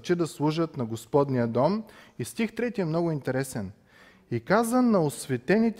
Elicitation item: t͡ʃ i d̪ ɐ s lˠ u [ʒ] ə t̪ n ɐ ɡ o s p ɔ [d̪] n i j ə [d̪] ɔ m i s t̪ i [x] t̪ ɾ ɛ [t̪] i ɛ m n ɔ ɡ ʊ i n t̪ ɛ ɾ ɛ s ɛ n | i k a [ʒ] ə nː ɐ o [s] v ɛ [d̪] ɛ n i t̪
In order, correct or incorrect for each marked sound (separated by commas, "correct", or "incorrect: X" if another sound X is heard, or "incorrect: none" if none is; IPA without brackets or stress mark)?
correct, correct, correct, correct, correct, incorrect: z, correct, incorrect: t̪